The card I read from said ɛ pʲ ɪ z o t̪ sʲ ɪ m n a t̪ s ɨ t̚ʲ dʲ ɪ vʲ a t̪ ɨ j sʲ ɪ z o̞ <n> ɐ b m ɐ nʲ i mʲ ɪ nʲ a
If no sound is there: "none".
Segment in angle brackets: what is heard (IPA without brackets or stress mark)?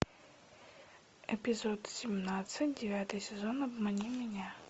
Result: n